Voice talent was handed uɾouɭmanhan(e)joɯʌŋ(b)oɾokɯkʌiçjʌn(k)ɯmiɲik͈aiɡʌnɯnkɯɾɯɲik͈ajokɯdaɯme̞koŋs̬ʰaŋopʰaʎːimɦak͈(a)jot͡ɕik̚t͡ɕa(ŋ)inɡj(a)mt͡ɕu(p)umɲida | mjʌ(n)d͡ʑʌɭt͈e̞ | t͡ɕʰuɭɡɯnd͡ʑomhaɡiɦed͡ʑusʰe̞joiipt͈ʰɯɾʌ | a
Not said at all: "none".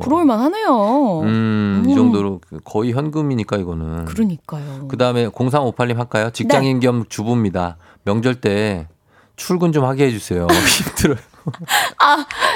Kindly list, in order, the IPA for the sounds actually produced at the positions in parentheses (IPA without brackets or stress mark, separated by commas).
e, d, ɡ, a, ŋ, ʌ, b, ŋ